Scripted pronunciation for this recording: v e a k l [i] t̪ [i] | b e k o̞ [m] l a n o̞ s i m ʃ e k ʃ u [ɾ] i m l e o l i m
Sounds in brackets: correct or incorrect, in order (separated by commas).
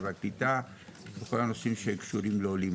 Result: correct, incorrect, incorrect, correct